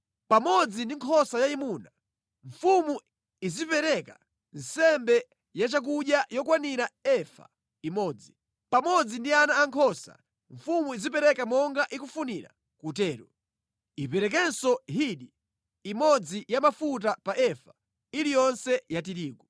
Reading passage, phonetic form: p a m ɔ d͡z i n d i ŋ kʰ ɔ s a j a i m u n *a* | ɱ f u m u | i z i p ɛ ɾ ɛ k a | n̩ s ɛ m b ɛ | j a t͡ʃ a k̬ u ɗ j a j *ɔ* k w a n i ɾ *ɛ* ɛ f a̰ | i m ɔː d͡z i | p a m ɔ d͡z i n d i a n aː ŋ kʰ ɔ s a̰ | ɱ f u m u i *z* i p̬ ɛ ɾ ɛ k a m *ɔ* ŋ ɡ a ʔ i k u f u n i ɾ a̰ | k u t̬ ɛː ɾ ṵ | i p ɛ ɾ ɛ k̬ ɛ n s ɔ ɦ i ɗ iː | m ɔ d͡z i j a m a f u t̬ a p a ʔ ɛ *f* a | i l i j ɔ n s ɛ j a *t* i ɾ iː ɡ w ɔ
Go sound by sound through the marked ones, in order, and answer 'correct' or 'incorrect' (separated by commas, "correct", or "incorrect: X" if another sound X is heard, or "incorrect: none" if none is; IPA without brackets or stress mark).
correct, correct, incorrect: a, correct, correct, correct, correct